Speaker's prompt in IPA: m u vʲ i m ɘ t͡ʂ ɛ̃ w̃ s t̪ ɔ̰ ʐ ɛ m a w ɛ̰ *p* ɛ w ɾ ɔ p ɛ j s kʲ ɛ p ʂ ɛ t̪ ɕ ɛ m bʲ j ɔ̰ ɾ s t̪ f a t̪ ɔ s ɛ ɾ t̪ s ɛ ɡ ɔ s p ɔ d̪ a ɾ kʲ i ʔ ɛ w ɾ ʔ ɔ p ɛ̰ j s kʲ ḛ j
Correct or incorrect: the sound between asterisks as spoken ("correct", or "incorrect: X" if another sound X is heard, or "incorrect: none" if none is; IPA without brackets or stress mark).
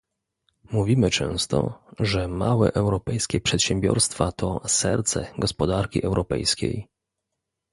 incorrect: ʔ